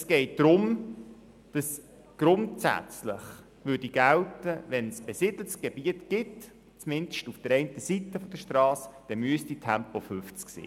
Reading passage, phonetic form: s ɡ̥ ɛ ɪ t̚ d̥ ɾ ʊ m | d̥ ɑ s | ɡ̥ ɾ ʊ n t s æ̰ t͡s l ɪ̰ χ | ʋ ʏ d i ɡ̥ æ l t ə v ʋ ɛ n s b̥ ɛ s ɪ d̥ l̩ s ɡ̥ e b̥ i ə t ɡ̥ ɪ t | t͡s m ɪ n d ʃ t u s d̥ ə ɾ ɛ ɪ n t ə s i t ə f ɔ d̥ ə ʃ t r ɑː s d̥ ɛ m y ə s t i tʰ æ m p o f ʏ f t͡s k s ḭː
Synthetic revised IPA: s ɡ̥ ɛ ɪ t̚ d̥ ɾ ʊ m | d̥ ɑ s | ɡ̥ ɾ ʊ n t s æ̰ t͡s l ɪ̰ χ | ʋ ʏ d i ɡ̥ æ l t ə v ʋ ɛ n s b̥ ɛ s ɪ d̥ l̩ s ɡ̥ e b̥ i ə t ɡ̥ ɪ t | t͡s m ɪ n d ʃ t u f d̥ ə ɾ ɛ ɪ n t ə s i t ə f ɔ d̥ ə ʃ t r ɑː s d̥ ɛ m y ə s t i tʰ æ m p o f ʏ f t͡s k s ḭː